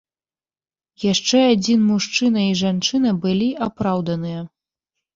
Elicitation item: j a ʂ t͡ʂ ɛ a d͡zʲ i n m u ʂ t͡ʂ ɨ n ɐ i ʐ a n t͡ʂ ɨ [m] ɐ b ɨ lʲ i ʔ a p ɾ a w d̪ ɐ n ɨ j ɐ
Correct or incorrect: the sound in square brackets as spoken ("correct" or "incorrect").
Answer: incorrect